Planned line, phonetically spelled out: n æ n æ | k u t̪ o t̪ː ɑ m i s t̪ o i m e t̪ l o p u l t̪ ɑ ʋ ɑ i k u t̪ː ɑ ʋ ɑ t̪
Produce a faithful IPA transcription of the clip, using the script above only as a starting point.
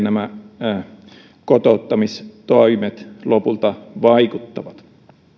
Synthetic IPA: n æ m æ | k o t̪ o t̪ː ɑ m i s t̪ o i m e t̪ l o p u l t̪ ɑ ʋ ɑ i k u t̪ː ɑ ʋ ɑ t̪